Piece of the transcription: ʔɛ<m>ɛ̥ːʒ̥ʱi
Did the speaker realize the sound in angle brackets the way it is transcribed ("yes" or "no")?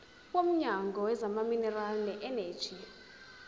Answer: no